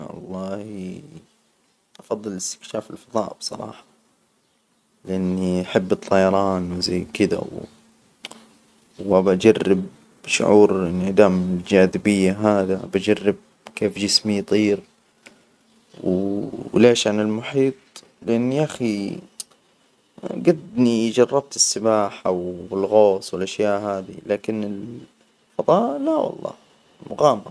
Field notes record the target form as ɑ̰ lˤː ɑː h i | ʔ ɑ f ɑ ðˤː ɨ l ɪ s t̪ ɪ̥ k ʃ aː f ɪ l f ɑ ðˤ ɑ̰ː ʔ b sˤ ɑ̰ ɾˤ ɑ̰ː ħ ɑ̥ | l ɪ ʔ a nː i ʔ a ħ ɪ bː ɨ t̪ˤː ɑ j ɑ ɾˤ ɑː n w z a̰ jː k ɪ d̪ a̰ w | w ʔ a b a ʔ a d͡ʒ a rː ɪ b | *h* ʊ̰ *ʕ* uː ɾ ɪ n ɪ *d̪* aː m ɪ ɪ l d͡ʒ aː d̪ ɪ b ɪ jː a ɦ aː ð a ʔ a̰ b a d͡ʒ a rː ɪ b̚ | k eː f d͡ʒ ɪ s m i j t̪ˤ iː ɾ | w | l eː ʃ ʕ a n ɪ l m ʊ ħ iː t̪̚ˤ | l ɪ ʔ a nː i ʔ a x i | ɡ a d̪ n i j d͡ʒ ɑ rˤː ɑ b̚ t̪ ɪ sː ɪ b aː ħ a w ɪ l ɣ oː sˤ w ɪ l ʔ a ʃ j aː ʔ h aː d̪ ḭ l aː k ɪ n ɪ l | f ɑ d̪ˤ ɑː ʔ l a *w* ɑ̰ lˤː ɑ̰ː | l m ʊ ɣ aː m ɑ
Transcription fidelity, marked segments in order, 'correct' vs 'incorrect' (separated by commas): incorrect, correct, correct, correct